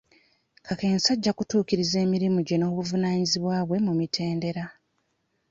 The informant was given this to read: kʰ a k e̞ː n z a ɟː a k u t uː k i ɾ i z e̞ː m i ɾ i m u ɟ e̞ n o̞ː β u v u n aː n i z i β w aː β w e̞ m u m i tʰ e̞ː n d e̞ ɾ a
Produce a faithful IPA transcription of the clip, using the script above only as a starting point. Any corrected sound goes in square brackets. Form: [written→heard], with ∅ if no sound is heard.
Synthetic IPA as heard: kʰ a k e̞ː n [z→s] a ɟː a k u t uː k i ɾ i z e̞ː m i ɾ i m u ɟ e̞ n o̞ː β u v u n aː [n→ɲ] i z i β w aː β w e̞ m u m i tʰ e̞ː n d e̞ ɾ a